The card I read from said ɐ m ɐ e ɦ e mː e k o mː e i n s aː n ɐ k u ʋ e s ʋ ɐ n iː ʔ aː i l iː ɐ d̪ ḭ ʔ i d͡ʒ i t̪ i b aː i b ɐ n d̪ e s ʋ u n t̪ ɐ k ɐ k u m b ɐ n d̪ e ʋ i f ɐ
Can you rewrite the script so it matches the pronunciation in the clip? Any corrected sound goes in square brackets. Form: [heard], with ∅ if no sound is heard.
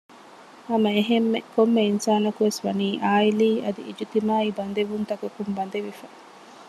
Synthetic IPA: ɐ m ɐ e ɦ e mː e k o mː e i n s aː n ɐ k u ʋ e s ʋ ɐ n iː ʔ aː i l iː ɐ d̪ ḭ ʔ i d͡ʒ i t̪ i [m] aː i b ɐ n d̪ e [∅] ʋ u n t̪ ɐ k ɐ k u m b ɐ n d̪ e ʋ i f ɐ